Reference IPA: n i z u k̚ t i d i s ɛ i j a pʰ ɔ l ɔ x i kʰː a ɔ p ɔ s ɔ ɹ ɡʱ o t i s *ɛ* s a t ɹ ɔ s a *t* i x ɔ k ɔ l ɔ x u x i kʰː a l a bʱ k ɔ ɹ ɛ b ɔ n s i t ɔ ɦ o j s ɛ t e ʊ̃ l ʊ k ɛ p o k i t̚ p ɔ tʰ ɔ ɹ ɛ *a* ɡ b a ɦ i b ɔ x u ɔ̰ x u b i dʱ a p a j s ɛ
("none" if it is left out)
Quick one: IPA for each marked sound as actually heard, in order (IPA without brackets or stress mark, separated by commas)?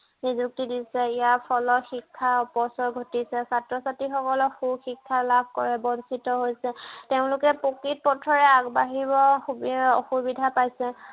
ɛ, t, a